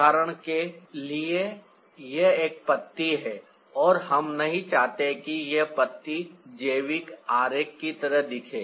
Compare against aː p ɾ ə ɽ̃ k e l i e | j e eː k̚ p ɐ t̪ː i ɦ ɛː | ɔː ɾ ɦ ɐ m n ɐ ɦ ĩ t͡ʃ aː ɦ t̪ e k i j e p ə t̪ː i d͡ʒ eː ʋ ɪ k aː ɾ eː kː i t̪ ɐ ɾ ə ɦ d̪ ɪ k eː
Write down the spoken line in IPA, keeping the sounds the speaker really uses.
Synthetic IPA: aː ɾ ə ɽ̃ k e l i e | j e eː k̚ p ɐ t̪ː i ɦ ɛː | ɔː ɾ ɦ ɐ m n ɐ ɦ ĩ t͡ʃ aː ɦ t̪ e k i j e p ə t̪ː i d͡ʒ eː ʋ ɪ k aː ɾ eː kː i t̪ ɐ ɾ ə ɦ d̪ ɪ kʰ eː